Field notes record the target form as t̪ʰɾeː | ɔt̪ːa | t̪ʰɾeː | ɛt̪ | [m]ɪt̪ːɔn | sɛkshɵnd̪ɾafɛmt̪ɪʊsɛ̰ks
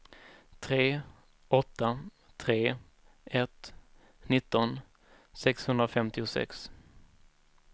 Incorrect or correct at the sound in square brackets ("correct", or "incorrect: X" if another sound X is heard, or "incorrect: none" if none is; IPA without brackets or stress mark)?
incorrect: n